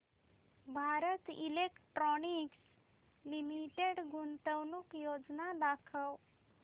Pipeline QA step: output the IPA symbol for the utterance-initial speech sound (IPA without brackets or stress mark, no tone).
bʱ